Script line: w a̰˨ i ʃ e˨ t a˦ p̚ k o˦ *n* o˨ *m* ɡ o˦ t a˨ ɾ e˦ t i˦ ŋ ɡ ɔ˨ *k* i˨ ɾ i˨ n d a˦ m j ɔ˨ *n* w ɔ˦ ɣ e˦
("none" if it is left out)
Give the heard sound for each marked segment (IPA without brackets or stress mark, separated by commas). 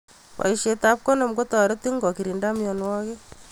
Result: n, m, k, n